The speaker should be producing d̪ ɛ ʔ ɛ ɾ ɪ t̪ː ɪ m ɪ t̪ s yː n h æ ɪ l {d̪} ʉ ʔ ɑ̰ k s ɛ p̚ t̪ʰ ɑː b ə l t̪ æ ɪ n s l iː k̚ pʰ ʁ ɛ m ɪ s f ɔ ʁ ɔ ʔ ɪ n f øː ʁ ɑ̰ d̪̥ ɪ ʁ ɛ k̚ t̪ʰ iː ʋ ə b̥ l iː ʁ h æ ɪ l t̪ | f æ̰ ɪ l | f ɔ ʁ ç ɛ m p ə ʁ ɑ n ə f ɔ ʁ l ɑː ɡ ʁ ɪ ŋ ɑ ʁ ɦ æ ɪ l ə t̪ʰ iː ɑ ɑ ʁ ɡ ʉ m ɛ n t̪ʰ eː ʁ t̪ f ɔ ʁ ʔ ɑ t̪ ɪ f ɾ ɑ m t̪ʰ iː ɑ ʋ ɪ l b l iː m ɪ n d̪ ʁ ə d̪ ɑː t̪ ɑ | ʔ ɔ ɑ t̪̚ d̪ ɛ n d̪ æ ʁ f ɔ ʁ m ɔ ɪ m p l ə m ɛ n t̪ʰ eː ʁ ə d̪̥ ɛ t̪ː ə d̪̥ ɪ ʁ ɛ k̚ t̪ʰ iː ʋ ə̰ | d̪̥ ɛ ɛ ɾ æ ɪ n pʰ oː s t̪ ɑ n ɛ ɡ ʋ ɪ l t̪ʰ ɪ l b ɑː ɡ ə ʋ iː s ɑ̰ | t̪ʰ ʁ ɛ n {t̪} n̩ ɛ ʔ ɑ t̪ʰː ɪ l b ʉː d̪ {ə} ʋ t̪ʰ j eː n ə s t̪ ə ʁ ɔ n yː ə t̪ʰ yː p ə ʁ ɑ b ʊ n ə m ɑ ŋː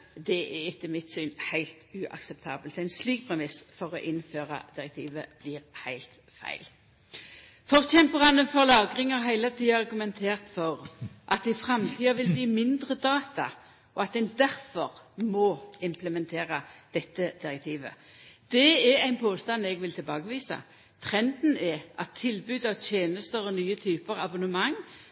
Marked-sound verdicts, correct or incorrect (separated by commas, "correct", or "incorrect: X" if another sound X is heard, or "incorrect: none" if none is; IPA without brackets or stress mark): incorrect: t̪, incorrect: d̪, incorrect: ɑ